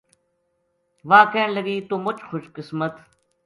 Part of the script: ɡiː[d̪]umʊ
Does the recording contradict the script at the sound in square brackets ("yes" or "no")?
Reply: yes